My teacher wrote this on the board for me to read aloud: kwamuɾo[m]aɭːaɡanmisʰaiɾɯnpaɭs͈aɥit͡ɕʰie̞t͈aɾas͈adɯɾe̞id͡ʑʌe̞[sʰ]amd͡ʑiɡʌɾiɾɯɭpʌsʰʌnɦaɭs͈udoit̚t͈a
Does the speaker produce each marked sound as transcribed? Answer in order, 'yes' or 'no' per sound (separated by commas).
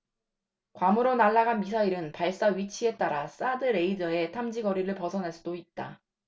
no, no